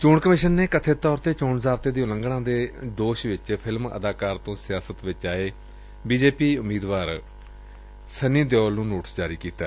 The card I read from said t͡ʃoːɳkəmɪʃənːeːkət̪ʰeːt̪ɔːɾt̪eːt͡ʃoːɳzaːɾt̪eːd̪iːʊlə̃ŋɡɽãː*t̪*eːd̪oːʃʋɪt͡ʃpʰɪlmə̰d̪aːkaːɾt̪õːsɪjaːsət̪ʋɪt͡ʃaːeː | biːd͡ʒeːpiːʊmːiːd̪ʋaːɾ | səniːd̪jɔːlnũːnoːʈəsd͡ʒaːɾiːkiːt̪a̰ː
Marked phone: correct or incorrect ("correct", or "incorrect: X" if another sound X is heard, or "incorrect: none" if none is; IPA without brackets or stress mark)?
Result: incorrect: d̪